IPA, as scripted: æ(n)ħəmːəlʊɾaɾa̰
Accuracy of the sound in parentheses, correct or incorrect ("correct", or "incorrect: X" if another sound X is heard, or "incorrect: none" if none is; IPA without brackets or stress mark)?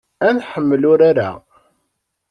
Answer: correct